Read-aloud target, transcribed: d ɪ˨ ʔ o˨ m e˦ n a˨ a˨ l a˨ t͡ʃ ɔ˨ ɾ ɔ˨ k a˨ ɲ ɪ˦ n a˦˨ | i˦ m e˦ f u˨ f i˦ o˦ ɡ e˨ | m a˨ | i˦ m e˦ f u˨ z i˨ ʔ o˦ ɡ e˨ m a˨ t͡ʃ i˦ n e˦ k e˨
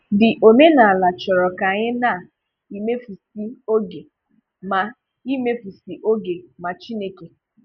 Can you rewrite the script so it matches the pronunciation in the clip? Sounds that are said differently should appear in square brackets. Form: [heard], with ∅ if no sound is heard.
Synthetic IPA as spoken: d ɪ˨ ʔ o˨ m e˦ n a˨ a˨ l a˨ t͡ʃ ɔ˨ ɾ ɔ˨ k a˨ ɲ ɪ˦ n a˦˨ | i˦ m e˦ f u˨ [s] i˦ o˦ ɡ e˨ | m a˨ | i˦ m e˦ f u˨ [s] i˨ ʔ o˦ ɡ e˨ m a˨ t͡ʃ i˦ n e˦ k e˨